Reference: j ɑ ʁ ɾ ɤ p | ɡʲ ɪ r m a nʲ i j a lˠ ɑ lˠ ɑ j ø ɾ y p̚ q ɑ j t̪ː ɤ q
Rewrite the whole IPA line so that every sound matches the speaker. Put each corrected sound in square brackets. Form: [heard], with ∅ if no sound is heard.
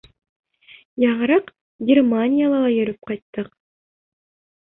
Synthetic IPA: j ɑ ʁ ɾ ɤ [q] | ɡʲ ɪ r m a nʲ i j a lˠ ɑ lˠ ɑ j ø ɾ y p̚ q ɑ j t̪ː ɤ q